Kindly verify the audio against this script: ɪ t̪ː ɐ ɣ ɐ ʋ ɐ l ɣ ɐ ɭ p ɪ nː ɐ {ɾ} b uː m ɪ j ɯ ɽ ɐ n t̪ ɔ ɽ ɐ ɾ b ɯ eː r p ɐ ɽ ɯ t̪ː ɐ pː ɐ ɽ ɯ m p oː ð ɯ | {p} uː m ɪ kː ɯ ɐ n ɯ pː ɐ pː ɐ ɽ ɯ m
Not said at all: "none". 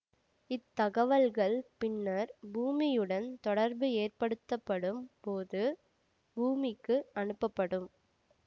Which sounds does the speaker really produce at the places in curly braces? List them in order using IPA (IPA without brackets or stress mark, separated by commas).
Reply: ɾ, b